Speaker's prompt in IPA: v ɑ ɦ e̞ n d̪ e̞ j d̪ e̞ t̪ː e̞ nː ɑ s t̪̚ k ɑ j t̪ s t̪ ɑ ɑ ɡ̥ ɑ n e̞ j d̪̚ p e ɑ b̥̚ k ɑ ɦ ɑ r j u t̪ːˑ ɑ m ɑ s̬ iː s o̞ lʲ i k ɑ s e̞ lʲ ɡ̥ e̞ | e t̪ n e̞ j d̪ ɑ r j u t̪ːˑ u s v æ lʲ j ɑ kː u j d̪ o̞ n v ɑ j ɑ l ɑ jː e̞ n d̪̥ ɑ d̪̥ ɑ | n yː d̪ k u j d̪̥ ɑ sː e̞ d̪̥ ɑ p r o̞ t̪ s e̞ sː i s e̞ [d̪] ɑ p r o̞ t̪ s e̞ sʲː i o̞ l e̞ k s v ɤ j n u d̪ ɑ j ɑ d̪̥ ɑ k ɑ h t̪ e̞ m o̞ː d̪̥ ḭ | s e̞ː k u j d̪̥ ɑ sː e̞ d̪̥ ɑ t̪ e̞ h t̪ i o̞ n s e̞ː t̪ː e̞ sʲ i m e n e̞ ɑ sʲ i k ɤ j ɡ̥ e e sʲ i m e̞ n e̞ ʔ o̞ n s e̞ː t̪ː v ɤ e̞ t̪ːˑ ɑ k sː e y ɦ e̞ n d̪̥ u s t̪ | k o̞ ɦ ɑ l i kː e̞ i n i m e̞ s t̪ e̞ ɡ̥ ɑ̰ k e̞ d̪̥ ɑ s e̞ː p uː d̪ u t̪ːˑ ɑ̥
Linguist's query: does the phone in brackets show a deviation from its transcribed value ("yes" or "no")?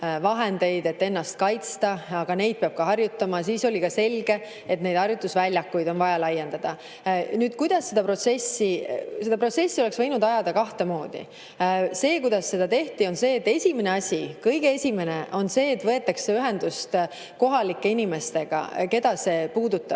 no